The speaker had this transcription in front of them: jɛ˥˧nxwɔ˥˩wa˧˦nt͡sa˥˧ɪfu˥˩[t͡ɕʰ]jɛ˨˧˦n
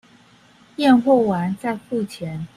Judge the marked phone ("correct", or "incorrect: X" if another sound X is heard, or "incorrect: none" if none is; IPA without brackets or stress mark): correct